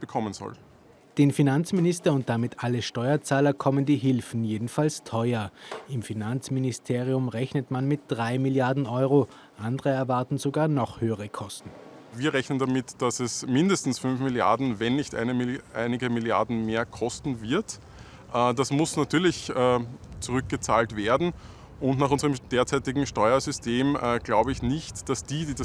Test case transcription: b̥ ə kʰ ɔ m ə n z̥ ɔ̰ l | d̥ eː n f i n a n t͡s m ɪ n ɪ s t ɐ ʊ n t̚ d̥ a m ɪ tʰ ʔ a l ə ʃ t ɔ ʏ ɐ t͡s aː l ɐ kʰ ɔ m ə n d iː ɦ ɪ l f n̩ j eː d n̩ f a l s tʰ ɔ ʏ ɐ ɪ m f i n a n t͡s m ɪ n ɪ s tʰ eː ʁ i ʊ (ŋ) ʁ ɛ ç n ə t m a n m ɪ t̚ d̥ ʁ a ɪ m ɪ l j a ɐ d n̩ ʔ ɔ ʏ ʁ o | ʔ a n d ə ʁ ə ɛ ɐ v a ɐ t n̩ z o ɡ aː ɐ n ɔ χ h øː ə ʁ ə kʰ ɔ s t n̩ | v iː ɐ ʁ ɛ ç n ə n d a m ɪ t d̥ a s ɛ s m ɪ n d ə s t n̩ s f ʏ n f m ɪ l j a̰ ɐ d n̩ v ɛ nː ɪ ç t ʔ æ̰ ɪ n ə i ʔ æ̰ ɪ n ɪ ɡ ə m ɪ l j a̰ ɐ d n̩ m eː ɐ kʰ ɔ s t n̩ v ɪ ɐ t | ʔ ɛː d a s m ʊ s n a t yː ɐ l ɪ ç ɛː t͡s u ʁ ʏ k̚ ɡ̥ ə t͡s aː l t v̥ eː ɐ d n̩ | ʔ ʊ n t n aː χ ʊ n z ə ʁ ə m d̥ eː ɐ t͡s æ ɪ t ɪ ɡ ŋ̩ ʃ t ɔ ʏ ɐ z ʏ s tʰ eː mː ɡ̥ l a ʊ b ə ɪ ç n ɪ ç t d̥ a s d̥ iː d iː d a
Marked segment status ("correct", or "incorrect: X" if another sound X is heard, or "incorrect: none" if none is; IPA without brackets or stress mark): incorrect: m